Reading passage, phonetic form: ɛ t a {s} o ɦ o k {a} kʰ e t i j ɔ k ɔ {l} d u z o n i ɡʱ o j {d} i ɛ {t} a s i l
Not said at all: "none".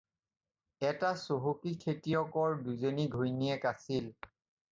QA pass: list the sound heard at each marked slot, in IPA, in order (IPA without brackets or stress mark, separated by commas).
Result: s, i, ɹ, n, k